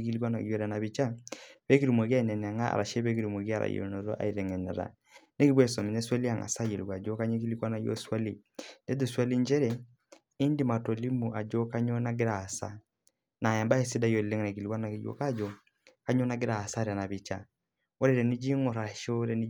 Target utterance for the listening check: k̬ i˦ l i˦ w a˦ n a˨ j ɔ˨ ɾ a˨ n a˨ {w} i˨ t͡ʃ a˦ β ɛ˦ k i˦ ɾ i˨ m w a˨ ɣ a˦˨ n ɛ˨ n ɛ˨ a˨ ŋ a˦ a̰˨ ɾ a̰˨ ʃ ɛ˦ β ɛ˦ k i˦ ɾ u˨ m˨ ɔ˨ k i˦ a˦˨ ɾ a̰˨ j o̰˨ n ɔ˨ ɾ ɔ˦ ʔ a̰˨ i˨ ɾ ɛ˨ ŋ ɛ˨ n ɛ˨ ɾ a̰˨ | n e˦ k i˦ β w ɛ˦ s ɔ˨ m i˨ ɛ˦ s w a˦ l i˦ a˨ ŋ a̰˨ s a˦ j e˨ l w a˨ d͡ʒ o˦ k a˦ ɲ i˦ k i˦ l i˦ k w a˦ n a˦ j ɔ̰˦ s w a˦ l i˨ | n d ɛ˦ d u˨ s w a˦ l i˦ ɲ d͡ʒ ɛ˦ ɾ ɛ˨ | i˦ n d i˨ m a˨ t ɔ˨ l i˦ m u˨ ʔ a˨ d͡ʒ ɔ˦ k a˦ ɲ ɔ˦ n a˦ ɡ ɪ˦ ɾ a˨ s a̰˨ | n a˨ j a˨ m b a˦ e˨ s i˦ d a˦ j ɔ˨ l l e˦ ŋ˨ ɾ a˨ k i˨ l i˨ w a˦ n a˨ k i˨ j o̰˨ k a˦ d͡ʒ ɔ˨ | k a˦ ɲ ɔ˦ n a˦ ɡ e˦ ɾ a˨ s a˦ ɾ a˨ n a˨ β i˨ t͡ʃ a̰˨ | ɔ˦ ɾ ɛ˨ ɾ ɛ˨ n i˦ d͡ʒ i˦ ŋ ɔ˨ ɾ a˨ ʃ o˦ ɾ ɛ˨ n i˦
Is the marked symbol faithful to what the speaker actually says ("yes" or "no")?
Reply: no